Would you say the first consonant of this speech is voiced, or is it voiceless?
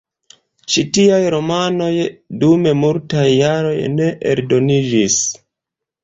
voiceless